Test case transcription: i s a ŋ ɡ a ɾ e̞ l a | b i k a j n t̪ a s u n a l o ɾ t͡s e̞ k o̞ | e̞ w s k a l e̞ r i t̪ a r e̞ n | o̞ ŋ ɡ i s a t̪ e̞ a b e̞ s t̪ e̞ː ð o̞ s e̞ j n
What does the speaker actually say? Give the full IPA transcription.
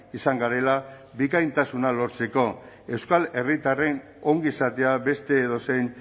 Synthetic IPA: i s a ŋ ɡ a ɾ e̞ l a | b i k a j n t̪ a s u n a l o ɾ t͡s e̞ k o̞ | e̞ w s k a l e̞ r i t̪ a r e̞ n | o̞ ŋ ɡ i s a t̪ e̞ a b e̞ s t̪ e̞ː ð o̞ s e̞ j n

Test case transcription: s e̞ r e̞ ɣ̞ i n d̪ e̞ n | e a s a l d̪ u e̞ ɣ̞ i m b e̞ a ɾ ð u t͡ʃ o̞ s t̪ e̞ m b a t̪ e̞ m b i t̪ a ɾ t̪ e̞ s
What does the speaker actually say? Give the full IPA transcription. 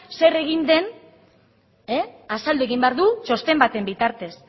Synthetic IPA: s e̞ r e̞ ɣ̞ i n d̪ e̞ n | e a s a l d̪ u e̞ ɣ̞ i m b e̞ a ɾ ð u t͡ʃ o̞ s t̪ e̞ m b a t̪ e̞ m b i t̪ a ɾ t̪ e̞ s

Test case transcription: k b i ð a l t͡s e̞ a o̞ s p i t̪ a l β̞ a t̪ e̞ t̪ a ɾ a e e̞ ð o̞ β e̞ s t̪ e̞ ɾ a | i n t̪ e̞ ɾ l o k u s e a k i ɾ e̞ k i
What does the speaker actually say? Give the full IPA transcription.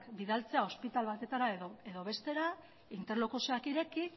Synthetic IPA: k b i ð a l t͡s e̞ a o̞ s p i t̪ a l β̞ a t̪ e̞ t̪ a ɾ a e e̞ ð o̞ β e̞ s t̪ e̞ ɾ a | i n t̪ e̞ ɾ l o k u s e a k i ɾ e̞ k i

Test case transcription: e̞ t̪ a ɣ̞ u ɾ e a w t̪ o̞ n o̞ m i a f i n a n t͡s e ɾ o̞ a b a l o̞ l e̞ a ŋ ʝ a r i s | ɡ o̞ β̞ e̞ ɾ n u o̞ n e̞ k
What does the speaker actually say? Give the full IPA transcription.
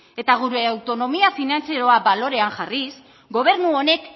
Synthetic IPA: e̞ t̪ a ɣ̞ u ɾ e a w t̪ o̞ n o̞ m i a f i n a n t͡s e ɾ o̞ a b a l o̞ ɾ e̞ a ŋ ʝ a r i s | ɡ o̞ β̞ e̞ ɾ n u o̞ n e̞ k

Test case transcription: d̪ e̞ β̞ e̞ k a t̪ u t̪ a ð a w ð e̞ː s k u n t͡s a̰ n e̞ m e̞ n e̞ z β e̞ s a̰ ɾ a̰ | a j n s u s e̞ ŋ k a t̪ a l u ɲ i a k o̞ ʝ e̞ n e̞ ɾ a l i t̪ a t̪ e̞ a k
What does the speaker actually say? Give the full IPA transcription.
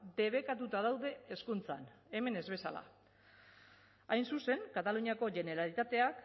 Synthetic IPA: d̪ e̞ β̞ e̞ k a t̪ u t̪ a ð a w ð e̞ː s k u n t͡s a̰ n e̞ m e̞ n e̞ z β e̞ s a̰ l a̰ | a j n s u s e̞ ŋ k a t̪ a l u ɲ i a k o̞ ʝ e̞ n e̞ ɾ a l i t̪ a t̪ e̞ a k

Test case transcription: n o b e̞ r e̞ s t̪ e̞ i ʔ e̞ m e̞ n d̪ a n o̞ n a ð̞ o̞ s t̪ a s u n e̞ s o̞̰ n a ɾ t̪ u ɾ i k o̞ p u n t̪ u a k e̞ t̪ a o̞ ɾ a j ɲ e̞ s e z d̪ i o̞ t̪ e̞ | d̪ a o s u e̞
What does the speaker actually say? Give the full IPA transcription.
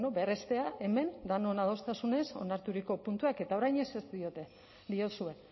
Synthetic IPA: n o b e̞ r e̞ s t̪ e̞ a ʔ e̞ m e̞ n d̪ a n o̞ n a ð̞ o̞ s t̪ a s u n e̞ s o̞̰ n a ɾ t̪ u ɾ i k o̞ p u n t̪ u a k e̞ t̪ a o̞ ɾ a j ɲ e̞ s e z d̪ i o̞ t̪ e̞ | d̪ i o s u e̞

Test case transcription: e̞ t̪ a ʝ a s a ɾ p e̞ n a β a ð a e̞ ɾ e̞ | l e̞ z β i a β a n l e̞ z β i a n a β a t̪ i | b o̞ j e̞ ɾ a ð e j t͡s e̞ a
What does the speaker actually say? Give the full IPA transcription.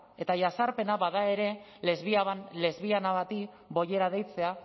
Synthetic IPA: e̞ t̪ a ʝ a s a ɾ p e̞ n a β a ð a e̞ ɾ e̞ | l e̞ z β i a β a n l e̞ z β i a n a β a t̪ i | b o̞ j e̞ ɾ a ð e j t͡s e̞ a

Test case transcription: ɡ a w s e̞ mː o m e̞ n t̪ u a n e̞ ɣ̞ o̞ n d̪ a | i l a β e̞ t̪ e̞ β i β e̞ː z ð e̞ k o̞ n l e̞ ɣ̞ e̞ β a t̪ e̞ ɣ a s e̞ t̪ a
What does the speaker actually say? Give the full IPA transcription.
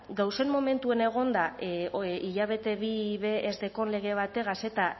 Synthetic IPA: ɡ a w s e̞ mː o m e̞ n t̪ u e n e̞ ɣ̞ o̞ n d̪ a | i ʎ a β e̞ t̪ e̞ β i β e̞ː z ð e̞ k o̞ n l e̞ ɣ̞ e̞ β a t̪ e̞ ɣ a s e̞ t̪ a

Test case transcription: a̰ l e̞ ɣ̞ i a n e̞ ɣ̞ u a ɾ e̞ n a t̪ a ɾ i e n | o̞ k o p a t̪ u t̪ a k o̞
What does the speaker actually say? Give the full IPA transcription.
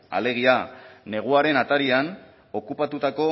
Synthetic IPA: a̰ l e̞ ɣ̞ i a n e̞ ɣ̞ u a ɾ e̞ n a t̪ a ɾ i a n | o̞ k u p a t̪ u t̪ a k o̞

